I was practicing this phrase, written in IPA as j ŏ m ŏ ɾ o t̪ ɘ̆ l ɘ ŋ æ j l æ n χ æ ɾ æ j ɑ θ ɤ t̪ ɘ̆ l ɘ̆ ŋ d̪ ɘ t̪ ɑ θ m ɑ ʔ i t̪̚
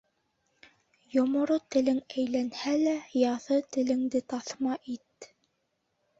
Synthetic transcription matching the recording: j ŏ m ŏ ɾ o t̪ ɘ̆ l ɘ ŋ æ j l æ n h æ l æ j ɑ θ ɤ t̪ ɘ̆ l ɘ̆ ŋ d̪ ɘ t̪ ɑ θ m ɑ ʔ i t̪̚